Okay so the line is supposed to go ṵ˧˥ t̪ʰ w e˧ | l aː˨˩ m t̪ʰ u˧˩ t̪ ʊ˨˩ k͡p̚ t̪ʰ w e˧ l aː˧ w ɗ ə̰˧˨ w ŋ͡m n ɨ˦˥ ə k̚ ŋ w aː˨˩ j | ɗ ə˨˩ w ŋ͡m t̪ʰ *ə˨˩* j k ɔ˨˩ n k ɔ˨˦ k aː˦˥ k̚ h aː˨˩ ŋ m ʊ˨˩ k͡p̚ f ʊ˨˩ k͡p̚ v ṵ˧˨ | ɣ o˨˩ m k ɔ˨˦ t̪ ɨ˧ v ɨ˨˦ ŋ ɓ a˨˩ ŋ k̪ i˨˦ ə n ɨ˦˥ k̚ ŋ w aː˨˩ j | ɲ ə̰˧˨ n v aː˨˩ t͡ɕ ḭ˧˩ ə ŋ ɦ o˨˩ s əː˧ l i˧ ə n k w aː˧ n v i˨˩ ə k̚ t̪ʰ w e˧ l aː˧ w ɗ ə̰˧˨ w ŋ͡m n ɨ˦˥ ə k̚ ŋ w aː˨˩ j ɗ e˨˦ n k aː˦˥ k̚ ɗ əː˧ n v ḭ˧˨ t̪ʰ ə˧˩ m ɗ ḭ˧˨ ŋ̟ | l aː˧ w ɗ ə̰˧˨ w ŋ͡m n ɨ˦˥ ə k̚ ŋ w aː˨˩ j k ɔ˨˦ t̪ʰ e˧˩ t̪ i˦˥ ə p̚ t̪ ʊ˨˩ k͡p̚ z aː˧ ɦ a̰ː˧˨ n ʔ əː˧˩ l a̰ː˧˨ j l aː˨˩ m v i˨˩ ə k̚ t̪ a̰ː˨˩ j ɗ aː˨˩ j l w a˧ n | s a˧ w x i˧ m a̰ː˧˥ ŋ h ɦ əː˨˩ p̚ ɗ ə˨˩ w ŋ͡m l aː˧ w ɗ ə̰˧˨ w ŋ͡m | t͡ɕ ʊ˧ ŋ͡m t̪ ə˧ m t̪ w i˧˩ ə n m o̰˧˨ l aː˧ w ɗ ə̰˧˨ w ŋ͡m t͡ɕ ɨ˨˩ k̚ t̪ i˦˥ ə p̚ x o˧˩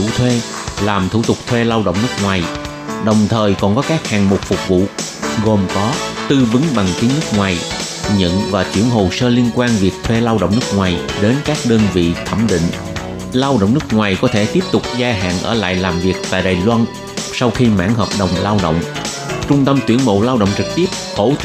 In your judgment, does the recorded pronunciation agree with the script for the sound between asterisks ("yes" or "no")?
no